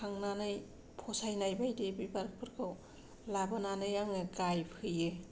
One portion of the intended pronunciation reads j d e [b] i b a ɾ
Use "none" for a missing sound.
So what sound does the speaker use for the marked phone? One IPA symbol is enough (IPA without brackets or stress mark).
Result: b